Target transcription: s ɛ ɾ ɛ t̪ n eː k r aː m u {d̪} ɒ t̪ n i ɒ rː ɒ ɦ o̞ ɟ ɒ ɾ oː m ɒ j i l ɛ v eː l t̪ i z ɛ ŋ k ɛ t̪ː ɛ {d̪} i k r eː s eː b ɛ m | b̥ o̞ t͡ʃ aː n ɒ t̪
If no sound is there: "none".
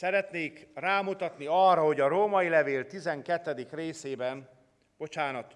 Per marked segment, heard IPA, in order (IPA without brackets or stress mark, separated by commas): t̪, d̪